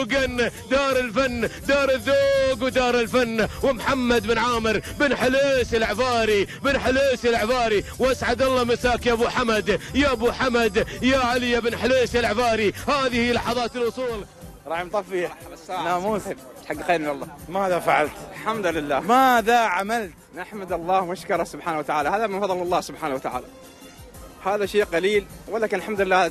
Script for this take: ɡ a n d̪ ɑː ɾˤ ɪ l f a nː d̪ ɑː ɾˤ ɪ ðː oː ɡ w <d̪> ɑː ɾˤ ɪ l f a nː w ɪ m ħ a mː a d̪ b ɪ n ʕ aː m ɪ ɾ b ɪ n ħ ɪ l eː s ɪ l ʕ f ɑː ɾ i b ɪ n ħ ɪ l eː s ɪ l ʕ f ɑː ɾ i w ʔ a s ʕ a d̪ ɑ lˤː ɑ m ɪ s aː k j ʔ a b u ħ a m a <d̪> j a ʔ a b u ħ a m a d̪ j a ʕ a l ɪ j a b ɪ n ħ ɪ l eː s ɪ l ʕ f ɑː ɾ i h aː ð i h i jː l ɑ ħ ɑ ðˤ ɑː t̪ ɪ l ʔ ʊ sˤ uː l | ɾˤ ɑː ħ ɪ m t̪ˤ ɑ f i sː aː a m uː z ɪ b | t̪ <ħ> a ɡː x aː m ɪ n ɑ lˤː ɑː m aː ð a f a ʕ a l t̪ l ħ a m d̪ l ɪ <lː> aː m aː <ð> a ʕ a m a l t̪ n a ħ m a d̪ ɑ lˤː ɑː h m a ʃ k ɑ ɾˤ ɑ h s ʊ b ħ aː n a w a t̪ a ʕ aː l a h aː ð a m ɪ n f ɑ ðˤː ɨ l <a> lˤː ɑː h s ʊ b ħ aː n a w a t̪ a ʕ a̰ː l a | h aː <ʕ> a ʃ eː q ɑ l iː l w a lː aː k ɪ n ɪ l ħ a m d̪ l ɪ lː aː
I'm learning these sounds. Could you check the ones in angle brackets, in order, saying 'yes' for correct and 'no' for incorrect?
yes, yes, yes, yes, yes, no, no

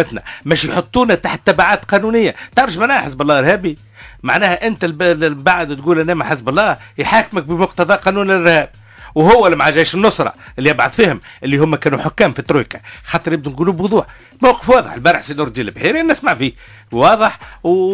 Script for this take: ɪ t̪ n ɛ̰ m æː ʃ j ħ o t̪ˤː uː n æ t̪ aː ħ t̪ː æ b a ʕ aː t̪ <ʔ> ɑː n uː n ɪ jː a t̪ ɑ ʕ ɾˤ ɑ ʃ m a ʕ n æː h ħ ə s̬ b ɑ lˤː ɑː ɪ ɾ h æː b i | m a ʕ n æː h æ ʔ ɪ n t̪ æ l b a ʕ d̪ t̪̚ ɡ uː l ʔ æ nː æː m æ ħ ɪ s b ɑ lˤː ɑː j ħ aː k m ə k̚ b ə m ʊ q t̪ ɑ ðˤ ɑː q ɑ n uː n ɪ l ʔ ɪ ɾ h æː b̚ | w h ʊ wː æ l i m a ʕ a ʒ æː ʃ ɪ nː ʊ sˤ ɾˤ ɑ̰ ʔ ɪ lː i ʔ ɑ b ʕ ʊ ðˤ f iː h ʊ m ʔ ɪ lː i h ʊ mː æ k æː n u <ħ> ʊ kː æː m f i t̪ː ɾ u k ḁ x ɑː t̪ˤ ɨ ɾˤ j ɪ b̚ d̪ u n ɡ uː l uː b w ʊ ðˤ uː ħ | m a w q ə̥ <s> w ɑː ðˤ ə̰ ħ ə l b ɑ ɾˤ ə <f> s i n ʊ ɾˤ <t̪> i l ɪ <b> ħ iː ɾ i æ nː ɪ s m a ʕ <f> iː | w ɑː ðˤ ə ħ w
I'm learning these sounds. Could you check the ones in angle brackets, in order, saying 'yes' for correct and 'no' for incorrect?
no, yes, no, no, no, yes, yes

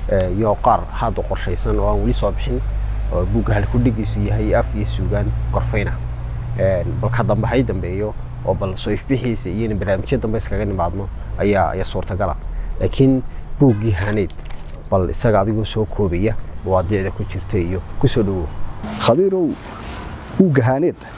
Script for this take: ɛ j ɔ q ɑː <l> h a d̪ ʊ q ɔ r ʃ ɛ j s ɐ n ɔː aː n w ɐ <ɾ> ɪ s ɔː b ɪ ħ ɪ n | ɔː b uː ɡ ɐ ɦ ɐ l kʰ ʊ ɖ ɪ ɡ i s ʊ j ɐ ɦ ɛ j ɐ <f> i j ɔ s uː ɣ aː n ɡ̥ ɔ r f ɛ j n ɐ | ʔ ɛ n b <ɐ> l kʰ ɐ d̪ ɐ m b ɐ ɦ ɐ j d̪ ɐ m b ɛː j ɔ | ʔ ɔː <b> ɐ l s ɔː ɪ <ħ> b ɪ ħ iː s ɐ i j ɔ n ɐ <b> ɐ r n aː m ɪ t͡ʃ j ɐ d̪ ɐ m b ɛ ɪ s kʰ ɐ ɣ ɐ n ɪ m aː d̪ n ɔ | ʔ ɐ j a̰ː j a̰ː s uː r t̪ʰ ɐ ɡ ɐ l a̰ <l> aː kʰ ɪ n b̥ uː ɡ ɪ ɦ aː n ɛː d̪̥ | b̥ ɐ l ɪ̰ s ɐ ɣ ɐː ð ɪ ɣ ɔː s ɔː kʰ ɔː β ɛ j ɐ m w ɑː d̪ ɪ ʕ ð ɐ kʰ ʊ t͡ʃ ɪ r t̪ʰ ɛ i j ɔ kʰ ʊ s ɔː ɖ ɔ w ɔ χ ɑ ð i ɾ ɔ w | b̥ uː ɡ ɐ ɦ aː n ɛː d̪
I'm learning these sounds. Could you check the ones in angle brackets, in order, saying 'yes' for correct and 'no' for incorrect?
no, no, yes, yes, yes, no, yes, yes

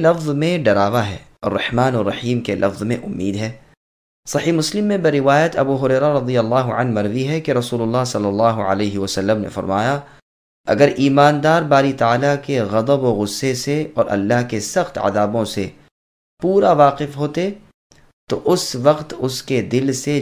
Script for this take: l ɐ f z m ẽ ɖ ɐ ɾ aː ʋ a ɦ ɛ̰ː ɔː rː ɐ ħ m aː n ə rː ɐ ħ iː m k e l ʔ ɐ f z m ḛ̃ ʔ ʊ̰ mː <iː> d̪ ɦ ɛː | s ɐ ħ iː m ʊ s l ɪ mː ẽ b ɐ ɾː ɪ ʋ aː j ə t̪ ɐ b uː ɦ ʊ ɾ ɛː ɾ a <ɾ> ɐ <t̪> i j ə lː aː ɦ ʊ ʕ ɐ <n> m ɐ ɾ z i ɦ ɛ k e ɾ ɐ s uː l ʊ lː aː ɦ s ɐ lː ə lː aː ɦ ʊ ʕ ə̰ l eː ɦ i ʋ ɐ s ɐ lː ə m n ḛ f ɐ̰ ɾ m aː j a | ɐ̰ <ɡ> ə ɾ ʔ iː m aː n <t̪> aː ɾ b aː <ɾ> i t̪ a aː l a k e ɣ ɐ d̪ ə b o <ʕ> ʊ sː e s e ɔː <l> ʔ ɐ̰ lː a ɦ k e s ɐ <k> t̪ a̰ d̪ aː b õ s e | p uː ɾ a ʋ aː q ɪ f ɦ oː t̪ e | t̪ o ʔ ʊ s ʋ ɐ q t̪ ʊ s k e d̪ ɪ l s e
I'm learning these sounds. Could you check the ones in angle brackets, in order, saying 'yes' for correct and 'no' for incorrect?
yes, yes, no, yes, yes, no, yes, no, no, no

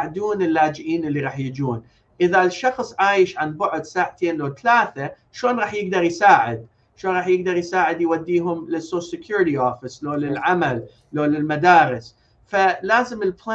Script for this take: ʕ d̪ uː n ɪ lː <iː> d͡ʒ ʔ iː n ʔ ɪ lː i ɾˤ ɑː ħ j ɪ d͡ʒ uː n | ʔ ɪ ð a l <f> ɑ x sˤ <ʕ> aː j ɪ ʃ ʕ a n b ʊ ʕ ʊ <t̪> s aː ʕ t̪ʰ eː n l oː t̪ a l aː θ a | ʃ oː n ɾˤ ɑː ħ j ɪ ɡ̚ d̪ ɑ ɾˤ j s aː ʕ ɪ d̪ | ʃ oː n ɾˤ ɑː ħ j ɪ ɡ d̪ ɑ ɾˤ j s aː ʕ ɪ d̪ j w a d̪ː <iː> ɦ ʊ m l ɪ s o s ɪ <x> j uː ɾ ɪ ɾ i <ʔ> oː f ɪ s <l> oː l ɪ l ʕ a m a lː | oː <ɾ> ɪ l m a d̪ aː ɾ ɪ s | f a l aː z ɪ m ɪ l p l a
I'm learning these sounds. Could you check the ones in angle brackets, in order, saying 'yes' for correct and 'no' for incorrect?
no, no, yes, no, yes, no, yes, yes, no

